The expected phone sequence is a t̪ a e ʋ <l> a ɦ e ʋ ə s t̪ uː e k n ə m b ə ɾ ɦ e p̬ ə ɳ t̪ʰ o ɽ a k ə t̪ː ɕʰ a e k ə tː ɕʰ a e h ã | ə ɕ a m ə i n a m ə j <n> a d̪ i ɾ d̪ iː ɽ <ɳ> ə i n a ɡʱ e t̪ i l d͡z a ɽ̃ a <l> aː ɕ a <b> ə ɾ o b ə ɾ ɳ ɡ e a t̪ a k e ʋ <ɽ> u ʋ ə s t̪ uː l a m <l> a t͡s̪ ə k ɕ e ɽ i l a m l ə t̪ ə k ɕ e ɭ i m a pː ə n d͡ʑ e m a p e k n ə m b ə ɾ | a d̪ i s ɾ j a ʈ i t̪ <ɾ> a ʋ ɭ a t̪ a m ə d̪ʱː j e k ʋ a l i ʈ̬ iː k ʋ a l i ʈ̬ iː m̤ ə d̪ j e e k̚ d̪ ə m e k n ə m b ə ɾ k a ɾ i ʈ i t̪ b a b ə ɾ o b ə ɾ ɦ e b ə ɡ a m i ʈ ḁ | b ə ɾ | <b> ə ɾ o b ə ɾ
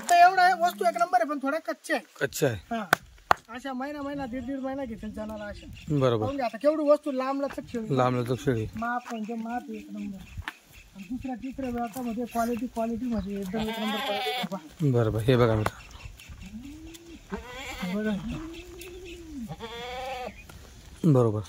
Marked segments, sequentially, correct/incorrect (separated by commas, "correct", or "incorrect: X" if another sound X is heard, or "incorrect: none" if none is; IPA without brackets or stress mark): incorrect: ɽ, correct, incorrect: m, correct, correct, correct, correct, correct, correct